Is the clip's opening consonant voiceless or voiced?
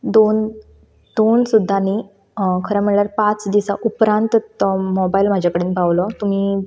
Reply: voiced